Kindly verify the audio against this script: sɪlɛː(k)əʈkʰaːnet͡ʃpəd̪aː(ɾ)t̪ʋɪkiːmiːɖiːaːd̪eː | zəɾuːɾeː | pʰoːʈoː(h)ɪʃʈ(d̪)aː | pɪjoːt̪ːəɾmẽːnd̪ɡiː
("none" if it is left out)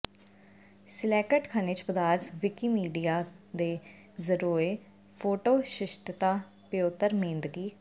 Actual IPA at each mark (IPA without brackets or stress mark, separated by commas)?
k, ɾ, ʃ, t̪